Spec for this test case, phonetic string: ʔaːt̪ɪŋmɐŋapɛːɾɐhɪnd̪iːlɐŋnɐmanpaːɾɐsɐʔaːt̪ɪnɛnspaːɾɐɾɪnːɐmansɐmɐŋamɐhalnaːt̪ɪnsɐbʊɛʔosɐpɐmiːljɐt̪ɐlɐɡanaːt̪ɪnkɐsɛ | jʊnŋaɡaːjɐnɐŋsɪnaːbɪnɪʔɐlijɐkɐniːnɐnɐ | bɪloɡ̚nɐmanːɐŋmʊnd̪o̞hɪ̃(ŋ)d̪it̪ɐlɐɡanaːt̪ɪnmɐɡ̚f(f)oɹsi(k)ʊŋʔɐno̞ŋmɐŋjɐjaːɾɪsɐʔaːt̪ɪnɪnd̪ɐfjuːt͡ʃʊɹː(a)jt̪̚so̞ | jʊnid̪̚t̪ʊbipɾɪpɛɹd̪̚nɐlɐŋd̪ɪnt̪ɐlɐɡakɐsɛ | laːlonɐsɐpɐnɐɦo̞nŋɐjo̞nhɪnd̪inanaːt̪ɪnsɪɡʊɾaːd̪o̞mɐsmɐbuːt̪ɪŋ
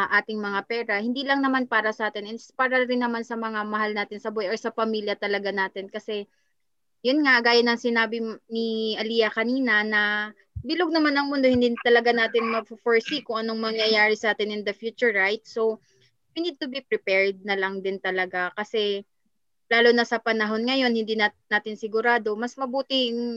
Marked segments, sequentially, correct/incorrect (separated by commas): incorrect, correct, correct, correct